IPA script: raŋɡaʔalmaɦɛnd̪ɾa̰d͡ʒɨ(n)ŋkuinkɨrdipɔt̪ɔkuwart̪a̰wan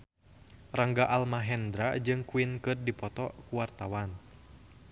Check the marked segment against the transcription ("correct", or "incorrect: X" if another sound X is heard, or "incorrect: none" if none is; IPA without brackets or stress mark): incorrect: none